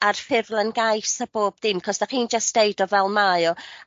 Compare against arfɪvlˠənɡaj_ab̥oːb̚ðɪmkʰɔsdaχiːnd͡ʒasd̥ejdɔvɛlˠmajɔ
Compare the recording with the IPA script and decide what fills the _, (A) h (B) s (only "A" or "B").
B